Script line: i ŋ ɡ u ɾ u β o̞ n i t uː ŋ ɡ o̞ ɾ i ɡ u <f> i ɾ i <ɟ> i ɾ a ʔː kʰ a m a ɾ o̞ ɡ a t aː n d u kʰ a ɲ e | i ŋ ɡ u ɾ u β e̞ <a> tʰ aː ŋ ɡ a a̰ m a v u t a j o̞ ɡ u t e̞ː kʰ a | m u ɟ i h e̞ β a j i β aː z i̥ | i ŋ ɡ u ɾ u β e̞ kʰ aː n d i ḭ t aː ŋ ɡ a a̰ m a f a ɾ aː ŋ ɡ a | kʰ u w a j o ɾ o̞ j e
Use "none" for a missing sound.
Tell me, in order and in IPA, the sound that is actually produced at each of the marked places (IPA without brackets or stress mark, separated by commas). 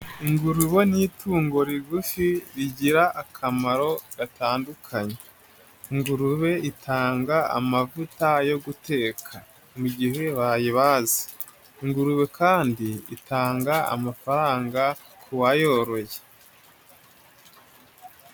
f, ɟ, i